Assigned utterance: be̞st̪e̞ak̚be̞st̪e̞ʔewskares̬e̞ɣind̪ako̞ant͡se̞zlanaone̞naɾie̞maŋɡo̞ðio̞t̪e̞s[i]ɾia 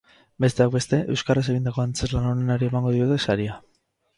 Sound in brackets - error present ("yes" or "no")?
yes